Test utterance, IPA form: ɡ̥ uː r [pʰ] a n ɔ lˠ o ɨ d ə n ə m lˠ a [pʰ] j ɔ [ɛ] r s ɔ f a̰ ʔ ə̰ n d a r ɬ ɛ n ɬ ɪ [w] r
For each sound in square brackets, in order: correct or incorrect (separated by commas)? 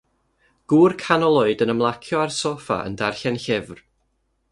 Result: incorrect, incorrect, incorrect, incorrect